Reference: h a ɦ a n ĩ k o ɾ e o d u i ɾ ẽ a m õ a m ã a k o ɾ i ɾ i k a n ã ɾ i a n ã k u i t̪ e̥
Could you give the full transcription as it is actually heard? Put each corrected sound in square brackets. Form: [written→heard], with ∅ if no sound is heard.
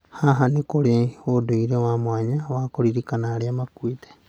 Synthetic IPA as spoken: h a ɦ a n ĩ k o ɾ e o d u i ɾ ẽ a m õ a [m→ɲ] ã a k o ɾ i ɾ i k a n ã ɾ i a [n→m] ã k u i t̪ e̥